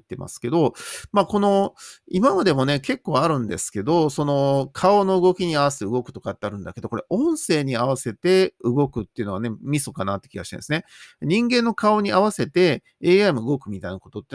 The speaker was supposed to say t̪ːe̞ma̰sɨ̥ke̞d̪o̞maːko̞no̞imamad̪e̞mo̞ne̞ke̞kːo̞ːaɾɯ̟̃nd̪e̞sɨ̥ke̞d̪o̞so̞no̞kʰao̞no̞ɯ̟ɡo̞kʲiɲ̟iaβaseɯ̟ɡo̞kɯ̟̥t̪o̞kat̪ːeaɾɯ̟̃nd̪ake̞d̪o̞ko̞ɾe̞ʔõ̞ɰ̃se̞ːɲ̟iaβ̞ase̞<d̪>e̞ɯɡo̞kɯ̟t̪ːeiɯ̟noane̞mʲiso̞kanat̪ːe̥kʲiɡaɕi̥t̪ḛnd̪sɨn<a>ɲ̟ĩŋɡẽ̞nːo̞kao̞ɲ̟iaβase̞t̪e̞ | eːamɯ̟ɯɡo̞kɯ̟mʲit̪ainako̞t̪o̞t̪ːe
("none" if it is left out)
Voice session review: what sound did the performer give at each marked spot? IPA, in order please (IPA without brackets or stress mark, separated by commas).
t̪, e